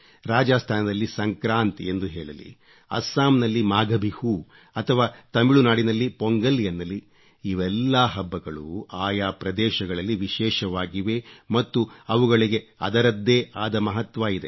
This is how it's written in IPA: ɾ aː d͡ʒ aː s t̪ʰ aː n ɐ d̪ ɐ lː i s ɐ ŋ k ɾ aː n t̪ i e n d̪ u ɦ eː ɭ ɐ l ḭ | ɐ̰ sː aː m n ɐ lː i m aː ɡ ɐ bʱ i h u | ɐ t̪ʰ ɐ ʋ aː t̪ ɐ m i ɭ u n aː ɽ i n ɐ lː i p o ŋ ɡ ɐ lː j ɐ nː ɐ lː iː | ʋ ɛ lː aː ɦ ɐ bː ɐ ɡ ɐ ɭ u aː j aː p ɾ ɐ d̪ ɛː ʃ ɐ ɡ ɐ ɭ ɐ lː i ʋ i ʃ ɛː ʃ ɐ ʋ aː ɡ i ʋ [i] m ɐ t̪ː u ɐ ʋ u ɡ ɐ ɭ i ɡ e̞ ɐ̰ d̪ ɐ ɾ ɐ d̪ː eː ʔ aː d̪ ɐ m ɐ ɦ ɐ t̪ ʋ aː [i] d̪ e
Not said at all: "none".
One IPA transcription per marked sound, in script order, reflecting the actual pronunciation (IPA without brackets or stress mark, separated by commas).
e, i